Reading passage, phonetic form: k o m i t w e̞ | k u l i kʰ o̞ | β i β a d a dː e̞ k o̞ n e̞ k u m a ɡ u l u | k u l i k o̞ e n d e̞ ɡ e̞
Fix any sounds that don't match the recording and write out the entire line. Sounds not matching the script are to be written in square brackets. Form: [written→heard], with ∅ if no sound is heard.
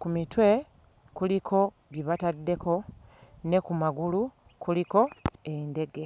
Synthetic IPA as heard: k [o→u] m i t w e̞ | k u l i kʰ o̞ | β i β a [d→t] a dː e̞ k o̞ n e̞ k u m a ɡ u l u | k u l i k o̞ e n d e̞ ɡ e̞